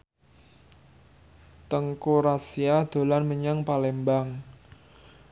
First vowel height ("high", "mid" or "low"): mid